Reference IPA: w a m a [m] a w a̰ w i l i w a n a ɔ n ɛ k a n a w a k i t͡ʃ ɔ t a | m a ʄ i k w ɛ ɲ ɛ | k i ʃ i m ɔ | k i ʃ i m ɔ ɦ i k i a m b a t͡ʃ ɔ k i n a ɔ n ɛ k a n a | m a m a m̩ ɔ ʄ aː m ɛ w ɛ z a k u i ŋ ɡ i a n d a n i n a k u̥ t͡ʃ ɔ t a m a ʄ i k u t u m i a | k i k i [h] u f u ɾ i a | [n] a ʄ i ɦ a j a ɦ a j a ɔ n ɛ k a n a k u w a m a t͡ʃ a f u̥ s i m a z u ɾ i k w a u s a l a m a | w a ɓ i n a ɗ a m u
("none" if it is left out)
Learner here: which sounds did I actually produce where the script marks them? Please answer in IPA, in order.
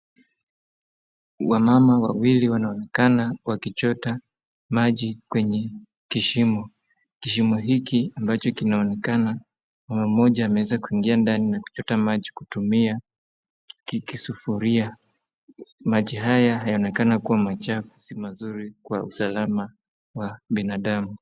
m, s, m

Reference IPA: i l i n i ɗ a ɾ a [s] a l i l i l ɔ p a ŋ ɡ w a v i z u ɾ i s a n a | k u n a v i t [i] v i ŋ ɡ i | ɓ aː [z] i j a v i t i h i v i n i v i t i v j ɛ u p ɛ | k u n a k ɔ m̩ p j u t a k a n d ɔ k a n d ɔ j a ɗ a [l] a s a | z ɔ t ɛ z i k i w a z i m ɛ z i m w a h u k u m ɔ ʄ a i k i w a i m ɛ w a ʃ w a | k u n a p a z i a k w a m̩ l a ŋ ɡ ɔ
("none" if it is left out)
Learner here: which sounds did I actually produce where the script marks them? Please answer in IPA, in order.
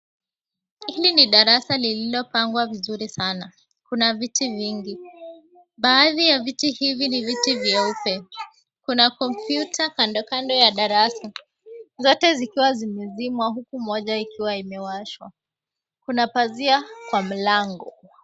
s, i, ð, ɾ

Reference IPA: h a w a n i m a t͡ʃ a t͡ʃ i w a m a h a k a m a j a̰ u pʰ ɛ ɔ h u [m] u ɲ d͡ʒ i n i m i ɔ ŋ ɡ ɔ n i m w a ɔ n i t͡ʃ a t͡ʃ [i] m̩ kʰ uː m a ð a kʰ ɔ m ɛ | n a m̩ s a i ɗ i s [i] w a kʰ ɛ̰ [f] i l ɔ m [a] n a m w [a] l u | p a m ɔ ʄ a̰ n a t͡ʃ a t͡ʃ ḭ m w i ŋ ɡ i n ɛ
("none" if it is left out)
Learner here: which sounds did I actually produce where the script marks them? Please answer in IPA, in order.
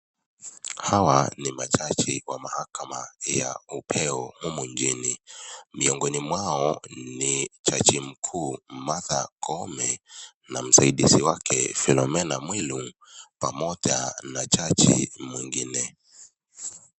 m, i, i, f, ɛ, i

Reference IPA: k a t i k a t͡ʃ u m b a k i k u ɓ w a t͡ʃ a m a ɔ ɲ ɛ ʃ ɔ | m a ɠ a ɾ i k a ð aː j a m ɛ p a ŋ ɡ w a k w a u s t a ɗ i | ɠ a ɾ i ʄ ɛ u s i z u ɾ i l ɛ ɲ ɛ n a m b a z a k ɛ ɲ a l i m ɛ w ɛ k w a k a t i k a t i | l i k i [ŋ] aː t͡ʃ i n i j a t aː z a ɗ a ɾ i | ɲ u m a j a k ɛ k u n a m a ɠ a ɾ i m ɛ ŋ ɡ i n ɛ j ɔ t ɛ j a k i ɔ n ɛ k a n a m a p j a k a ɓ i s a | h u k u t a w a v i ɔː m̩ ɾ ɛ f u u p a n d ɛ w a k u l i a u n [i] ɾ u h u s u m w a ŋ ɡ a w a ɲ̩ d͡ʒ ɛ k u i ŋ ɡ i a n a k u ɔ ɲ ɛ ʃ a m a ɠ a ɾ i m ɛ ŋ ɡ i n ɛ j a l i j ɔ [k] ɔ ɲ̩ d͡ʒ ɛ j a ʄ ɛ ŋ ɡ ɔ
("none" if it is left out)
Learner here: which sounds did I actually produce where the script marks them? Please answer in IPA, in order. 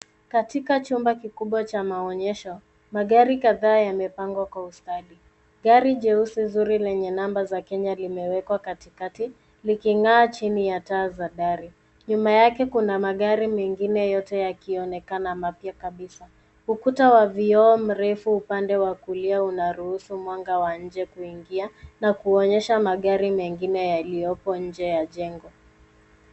ŋ, a, p

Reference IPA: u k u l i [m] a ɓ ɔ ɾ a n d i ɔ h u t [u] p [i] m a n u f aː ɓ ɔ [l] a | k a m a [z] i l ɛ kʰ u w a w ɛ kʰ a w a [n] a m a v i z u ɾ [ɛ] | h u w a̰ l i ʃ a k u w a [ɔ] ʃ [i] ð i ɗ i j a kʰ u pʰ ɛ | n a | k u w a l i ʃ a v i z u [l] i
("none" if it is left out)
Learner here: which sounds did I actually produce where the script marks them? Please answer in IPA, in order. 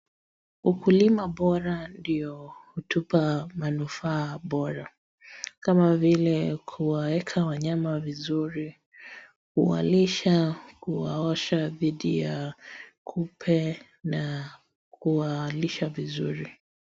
m, u, a, ɾ, v, ɲ, i, ɔ, a, ɾ

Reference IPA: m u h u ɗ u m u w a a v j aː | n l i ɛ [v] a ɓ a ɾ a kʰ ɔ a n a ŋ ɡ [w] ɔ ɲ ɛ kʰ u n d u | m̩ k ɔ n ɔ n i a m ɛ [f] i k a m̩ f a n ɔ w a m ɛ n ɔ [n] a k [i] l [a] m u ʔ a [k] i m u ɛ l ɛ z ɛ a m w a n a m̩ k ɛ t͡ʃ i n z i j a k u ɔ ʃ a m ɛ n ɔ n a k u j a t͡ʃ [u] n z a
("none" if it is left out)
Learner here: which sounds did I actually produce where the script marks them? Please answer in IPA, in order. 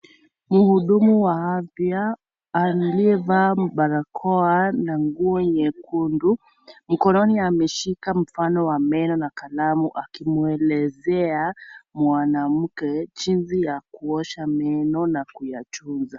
v, u, ʃ, n, a, a, k, u

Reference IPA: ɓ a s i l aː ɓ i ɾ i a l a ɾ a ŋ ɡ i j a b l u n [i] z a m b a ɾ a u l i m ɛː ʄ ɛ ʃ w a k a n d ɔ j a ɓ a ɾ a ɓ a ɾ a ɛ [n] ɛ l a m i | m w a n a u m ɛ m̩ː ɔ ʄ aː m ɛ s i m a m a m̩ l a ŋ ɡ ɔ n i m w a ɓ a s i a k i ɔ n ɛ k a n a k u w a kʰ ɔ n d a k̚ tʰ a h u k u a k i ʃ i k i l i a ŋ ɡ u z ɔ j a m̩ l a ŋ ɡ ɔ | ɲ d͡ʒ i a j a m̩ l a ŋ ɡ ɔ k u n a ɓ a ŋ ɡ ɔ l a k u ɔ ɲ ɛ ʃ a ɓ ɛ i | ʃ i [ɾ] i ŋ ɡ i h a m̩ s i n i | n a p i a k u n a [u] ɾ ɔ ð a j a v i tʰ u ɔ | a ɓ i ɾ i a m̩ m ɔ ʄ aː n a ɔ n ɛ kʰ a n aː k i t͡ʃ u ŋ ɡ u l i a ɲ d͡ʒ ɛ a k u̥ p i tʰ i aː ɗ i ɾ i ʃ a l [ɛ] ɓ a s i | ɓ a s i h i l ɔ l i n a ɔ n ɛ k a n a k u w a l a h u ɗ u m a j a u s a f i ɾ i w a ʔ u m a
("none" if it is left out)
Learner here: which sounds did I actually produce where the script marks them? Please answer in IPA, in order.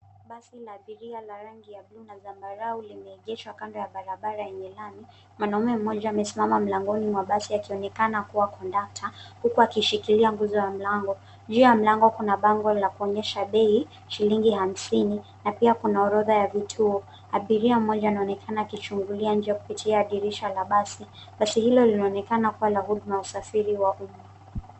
a, ɲ, l, ɔ, a

